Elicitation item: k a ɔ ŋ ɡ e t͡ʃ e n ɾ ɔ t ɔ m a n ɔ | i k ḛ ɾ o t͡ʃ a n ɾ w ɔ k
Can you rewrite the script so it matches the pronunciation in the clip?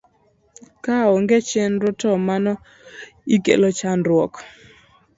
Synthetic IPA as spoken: k a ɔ ŋ ɡ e t͡ʃ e n ɾ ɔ t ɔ m a n ɔ | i k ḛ l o t͡ʃ a n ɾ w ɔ k